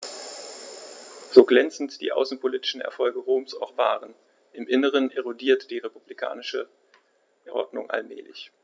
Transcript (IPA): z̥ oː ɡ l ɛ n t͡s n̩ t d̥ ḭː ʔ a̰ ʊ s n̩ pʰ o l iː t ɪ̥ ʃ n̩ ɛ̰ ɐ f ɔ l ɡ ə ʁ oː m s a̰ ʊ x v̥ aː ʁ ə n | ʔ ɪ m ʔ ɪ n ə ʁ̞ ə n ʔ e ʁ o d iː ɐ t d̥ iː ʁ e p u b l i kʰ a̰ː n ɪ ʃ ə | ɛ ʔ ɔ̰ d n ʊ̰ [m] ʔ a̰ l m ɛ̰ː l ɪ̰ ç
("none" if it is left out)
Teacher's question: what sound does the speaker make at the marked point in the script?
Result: ŋ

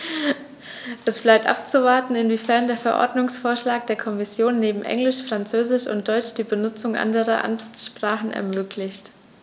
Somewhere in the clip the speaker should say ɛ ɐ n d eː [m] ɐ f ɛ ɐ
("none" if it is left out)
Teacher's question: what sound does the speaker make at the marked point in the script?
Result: none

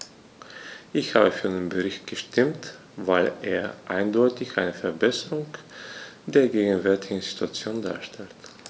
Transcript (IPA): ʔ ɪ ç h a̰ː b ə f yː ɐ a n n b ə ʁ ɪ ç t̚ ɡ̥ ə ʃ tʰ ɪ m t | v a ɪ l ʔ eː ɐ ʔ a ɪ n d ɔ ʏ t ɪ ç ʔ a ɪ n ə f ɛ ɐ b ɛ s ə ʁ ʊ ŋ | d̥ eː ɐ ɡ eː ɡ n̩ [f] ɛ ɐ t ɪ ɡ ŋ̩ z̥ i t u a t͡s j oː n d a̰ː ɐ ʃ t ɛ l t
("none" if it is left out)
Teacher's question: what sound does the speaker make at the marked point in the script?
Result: v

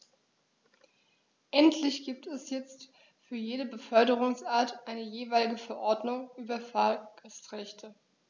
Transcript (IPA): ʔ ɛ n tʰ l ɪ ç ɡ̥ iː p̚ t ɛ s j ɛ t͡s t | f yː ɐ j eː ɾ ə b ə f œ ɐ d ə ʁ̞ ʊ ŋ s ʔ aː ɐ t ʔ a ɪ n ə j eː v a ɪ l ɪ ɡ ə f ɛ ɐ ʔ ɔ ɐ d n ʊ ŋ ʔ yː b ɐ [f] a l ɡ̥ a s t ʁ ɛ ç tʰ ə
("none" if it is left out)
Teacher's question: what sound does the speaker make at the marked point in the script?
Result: f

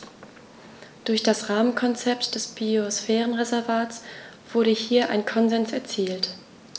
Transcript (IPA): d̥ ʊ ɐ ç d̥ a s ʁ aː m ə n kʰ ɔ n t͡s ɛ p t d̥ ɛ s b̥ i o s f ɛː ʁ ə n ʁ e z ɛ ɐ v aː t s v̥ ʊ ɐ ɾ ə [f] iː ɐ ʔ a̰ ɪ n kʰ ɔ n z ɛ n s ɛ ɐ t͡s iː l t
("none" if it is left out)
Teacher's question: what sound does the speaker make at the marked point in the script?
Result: h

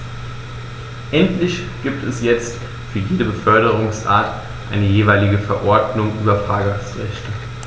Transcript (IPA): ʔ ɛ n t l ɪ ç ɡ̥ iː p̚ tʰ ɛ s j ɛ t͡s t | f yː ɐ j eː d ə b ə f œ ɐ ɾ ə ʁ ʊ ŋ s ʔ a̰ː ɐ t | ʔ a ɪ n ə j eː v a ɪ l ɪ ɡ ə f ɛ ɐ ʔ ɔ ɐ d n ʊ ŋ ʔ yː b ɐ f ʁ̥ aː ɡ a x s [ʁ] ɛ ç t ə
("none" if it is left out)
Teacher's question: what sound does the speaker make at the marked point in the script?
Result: ʁ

